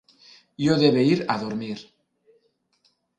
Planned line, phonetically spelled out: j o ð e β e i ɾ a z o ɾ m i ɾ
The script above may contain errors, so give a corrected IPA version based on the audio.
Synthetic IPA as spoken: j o ð e β e i ɾ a ð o ɾ m i ɾ